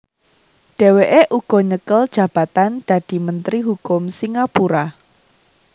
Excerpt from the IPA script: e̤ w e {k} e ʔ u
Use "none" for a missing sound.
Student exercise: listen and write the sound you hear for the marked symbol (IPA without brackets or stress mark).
ʔ